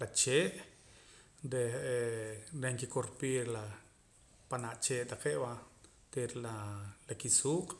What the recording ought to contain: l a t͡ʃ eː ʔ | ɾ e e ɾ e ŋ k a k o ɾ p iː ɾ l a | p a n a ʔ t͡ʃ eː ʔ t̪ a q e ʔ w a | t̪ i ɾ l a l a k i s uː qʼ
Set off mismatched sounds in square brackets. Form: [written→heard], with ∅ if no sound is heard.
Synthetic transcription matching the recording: l a t͡ʃ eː ʔ | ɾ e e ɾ e ŋ k [a→i] k o ɾ p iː ɾ l a | p a n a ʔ t͡ʃ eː ʔ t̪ a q e ʔ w a | t̪ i ɾ l a l a k i s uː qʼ